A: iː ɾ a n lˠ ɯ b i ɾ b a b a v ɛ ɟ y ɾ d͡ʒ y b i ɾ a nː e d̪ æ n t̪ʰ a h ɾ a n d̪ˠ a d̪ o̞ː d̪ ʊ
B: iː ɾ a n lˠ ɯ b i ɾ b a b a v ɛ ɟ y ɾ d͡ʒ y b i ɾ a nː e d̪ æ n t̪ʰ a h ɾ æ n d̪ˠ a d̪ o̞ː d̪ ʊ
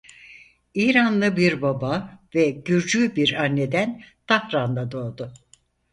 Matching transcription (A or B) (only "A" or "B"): A